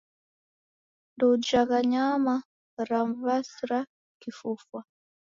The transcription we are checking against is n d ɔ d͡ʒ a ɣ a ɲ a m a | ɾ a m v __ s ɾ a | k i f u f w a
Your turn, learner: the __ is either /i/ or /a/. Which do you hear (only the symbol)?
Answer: a